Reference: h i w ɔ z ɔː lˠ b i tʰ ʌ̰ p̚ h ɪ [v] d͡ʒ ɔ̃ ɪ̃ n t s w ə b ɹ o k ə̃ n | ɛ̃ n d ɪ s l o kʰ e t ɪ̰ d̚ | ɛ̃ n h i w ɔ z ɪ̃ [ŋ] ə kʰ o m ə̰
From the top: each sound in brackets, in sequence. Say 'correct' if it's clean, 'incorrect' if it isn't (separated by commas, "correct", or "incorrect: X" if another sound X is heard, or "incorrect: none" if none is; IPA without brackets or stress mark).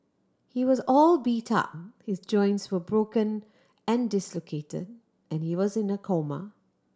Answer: incorrect: z, incorrect: n